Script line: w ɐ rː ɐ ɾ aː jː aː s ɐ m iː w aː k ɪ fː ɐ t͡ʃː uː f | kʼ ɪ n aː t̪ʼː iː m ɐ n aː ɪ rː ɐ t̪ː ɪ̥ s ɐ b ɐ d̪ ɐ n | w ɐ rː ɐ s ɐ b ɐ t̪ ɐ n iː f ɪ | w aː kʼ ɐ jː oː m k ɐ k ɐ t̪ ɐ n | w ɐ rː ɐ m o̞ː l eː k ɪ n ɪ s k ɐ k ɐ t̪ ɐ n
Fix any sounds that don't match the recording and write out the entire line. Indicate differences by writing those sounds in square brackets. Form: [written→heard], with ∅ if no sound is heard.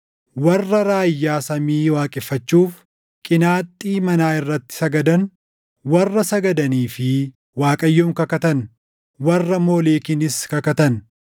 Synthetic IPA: w ɐ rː ɐ ɾ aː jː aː s ɐ m iː w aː [k→kʼ] ɪ fː ɐ t͡ʃː uː f | kʼ ɪ n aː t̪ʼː iː m ɐ n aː ɪ rː ɐ t̪ː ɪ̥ s ɐ [b→ɡ] ɐ d̪ ɐ n | w ɐ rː ɐ s ɐ [b→ɡ] ɐ [t̪→d̪] ɐ n iː f ɪ | w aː kʼ ɐ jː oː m k ɐ k ɐ t̪ ɐ n | w ɐ rː ɐ m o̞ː l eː k ɪ n ɪ s k ɐ k ɐ t̪ ɐ n